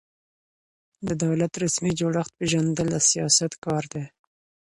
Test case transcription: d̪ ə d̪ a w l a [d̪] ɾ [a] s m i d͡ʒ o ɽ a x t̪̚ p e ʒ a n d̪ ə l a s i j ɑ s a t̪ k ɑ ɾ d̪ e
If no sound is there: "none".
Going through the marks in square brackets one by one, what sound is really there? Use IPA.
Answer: t̪, a

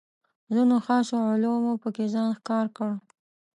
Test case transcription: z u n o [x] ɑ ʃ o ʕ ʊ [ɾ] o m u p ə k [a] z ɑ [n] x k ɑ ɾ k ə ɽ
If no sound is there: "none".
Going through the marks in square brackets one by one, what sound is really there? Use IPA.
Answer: x, l, e, n

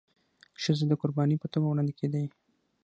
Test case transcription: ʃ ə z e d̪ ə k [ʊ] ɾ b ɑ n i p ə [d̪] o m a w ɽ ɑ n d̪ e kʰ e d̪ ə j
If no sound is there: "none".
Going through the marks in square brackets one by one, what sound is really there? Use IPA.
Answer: ʊ, t̪

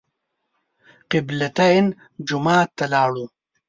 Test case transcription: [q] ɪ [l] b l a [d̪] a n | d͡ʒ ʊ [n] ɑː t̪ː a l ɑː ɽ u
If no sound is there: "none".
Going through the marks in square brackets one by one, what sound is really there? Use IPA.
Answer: q, none, t̪, m

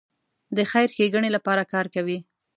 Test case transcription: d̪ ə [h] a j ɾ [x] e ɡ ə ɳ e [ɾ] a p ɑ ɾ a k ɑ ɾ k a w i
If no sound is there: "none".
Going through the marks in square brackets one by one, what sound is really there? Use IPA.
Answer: x, x, l

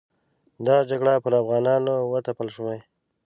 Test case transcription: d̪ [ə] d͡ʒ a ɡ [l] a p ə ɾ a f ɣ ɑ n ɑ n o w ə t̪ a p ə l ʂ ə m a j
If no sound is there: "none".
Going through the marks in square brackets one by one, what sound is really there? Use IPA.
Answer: ɑ, ɽ

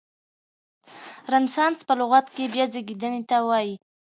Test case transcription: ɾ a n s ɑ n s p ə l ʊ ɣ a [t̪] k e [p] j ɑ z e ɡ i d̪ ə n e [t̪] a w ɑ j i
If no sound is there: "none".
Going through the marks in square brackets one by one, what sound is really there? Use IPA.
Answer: t̪, b, t̪

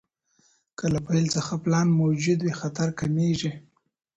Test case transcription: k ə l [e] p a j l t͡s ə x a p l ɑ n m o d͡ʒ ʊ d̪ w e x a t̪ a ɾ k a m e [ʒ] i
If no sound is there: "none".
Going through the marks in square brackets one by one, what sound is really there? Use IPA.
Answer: a, ʒ

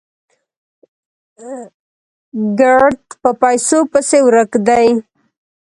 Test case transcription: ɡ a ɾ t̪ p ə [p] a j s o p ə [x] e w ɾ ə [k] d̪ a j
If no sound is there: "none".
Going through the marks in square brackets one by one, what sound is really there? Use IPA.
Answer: p, s, k

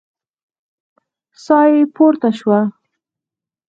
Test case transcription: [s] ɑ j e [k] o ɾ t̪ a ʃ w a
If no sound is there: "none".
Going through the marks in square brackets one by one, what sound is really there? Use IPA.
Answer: s, p

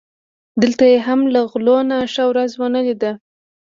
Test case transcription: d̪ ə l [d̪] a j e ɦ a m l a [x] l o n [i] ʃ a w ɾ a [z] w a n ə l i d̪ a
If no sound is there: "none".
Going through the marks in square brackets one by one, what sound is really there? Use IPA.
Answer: t̪, ɣ, a, z

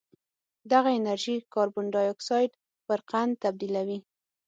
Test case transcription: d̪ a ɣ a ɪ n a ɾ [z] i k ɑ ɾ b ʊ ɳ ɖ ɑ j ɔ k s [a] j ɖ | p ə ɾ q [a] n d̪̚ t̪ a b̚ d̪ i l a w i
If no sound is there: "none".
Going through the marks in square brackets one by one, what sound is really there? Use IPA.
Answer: ʒ, ɑ, a

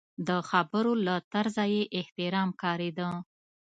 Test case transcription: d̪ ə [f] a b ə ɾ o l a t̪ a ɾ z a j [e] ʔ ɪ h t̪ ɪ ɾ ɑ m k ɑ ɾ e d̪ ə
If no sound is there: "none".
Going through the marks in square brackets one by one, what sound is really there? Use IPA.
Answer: x, e

